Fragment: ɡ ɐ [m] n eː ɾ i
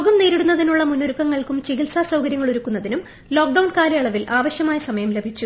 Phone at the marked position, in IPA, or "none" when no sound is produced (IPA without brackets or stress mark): m